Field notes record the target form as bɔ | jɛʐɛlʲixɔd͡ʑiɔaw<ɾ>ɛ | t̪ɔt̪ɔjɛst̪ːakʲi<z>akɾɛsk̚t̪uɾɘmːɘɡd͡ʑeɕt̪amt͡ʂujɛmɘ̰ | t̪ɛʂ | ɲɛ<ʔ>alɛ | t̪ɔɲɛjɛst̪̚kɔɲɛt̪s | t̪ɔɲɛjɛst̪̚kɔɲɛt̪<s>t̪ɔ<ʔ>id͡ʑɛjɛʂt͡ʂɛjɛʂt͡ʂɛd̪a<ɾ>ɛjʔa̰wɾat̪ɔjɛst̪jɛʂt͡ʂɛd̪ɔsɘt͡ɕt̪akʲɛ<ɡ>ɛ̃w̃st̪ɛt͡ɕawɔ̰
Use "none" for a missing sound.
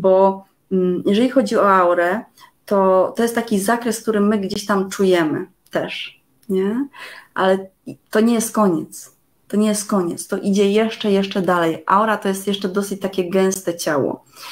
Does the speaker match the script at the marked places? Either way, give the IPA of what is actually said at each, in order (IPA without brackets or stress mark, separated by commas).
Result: ɾ, z, ʔ, s, ʔ, l, ɡ